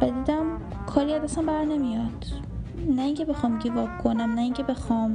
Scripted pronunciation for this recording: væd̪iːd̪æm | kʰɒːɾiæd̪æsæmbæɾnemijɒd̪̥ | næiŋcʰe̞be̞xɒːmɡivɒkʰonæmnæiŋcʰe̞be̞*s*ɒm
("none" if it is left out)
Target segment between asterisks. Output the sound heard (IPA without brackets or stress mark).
x